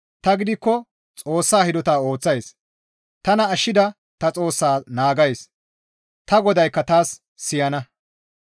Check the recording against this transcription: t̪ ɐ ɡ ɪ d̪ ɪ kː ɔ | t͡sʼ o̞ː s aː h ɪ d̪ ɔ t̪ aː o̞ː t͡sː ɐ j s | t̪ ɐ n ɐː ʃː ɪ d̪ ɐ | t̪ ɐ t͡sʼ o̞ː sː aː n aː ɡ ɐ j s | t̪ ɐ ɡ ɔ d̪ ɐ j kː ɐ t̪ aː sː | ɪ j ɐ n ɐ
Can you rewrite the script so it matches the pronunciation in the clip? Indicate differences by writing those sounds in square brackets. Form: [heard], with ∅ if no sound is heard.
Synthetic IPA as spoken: t̪ ɐ ɡ ɪ d̪ ɪ kː ɔ | t͡sʼ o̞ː [sː] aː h ɪ d̪ ɔ t̪ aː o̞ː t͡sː ɐ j s | t̪ ɐ n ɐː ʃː ɪ d̪ ɐ | t̪ ɐ t͡sʼ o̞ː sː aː n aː ɡ ɐ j s | t̪ ɐ ɡ ɔ d̪ ɐ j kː ɐ t̪ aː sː | ɪ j ɐ n ɐ

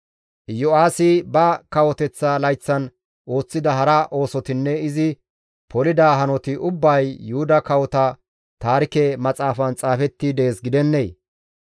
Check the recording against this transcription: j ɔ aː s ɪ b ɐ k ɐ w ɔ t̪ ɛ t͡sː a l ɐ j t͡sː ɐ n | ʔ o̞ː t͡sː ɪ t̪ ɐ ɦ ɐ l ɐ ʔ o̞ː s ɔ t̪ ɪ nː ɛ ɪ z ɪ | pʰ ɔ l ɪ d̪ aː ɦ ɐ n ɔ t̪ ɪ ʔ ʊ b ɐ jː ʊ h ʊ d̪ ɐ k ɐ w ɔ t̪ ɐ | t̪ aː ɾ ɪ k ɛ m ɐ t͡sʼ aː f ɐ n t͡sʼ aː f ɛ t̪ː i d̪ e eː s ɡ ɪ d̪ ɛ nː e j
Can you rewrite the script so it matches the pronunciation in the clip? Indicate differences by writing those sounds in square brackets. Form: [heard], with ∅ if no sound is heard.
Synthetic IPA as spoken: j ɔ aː s ɪ b ɐ k ɐ w ɔ t̪ ɛ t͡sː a l ɐ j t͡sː ɐ n | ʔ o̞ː t͡sː ɪ [d̪] ɐ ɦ ɐ [ɾ] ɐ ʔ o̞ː s ɔ t̪ ɪ nː ɛ ɪ z ɪ | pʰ ɔ l ɪ d̪ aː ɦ ɐ n ɔ t̪ ɪ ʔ ʊ [bː] ɐ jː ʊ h ʊ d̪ ɐ k ɐ w ɔ t̪ ɐ | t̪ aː ɾ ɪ k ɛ m ɐ t͡sʼ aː f ɐ n t͡sʼ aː f ɛ t̪ː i d̪ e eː s ɡ ɪ d̪ ɛ nː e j

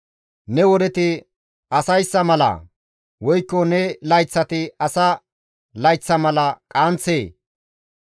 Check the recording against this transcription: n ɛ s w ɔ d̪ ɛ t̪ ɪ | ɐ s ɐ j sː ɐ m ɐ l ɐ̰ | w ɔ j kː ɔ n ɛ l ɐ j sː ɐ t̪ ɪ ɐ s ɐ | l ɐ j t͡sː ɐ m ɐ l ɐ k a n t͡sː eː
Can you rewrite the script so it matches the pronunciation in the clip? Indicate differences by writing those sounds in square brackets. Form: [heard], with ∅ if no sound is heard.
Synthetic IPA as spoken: n ɛ [∅] w ɔ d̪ ɛ t̪ ɪ | ɐ s ɐ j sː ɐ m ɐ l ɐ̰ | w ɔ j kː ɔ n ɛ l ɐ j [t͡sː] ɐ t̪ ɪ ɐ s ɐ | l ɐ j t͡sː ɐ m ɐ l ɐ [kʼ] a n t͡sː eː

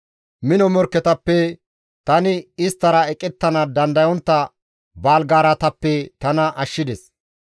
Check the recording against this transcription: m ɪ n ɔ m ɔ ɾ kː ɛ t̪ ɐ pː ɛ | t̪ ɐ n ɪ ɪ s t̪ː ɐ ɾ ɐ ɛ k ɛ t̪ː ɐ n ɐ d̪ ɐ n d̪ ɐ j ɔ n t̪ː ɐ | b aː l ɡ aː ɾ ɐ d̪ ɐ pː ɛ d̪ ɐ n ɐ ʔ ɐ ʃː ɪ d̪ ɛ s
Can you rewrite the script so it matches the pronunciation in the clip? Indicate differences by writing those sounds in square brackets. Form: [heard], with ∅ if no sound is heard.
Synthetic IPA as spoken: m ɪ n ɔ m ɔ ɾ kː ɛ t̪ ɐ pː ɛ | t̪ ɐ n ɪ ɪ s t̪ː ɐ ɾ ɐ ɛ [kʼ] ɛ t̪ː ɐ n ɐ d̪ ɐ n d̪ ɐ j ɔ n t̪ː ɐ | b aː l ɡ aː ɾ ɐ [t̪] ɐ pː ɛ [t̪] ɐ n ɐ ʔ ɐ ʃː ɪ d̪ ɛ s

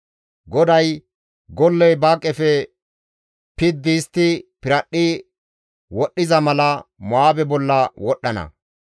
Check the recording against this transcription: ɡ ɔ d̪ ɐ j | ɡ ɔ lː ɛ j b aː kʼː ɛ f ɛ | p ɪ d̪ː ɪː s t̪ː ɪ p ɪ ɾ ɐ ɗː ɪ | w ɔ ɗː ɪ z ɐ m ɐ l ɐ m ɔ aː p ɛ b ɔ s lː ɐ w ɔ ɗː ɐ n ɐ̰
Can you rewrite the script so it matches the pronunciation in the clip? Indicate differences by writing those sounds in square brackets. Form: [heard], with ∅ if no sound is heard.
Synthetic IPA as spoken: ɡ ɔ d̪ ɐ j | ɡ ɔ lː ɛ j b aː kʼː ɛ f ɛ | p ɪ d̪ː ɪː s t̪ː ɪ p ɪ ɾ ɐ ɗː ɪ | w ɔ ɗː ɪ z ɐ m ɐ l ɐ m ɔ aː [b] ɛ b ɔ [∅] lː ɐ w ɔ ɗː ɐ n ɐ̰

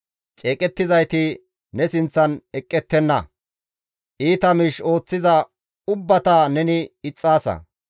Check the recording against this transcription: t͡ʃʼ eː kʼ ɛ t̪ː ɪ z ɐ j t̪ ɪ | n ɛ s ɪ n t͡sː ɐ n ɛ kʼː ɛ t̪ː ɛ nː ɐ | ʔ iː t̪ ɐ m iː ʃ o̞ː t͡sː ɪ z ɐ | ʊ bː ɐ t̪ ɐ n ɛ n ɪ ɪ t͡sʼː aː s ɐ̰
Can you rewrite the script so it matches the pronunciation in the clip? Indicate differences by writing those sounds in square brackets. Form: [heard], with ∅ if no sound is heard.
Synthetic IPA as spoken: t͡ʃʼ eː kʼ ɛ t̪ː ɪ z ɐ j t̪ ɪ | n ɛ s ɪ n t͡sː ɐ n ɛ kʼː ɛ t̪ː ɛ nː ɐ | ʔ iː t̪ ɐ m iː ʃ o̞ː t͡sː ɪ z ɐ | ʊ bː ɐ t̪ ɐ n ɛ n ɪ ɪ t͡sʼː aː s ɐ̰

